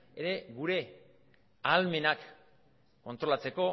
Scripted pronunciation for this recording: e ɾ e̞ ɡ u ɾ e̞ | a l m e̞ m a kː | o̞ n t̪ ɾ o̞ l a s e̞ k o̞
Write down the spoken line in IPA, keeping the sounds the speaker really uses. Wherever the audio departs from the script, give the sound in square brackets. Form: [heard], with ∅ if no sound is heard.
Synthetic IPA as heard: e ɾ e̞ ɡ u ɾ e̞ | a l m e̞ [n] a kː | o̞ n t̪ ɾ o̞ l a [t͡s] e̞ k o̞